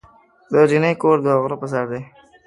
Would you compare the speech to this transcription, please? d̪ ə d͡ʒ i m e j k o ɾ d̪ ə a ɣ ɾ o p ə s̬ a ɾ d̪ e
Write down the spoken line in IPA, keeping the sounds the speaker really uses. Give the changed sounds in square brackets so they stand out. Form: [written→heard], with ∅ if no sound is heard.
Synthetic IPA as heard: d̪ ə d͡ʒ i [m→n] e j k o ɾ d̪ ə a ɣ ɾ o p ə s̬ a ɾ d̪ e